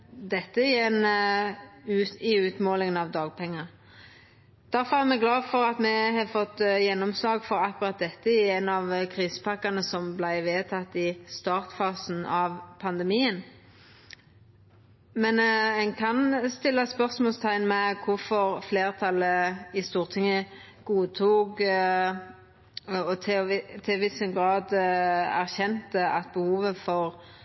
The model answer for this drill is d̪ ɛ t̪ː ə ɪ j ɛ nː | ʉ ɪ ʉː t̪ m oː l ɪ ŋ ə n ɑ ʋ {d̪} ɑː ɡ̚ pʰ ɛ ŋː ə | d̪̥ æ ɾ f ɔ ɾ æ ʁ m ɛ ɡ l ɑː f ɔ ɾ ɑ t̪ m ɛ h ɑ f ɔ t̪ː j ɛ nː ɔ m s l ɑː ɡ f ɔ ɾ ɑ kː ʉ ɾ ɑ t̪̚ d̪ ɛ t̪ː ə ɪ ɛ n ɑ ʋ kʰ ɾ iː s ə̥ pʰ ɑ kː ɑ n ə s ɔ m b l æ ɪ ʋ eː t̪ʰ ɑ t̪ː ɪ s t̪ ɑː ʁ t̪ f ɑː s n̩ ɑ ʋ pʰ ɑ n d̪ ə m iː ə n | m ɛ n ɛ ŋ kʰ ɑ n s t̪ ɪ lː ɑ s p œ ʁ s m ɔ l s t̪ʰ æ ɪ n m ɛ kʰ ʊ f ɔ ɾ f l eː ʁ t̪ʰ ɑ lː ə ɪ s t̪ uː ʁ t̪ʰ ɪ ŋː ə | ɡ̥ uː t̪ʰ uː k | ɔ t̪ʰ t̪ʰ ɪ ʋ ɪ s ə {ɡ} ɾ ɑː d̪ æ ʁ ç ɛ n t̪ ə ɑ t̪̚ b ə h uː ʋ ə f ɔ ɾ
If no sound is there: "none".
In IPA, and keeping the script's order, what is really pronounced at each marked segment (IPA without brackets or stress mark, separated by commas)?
d̪, ɡ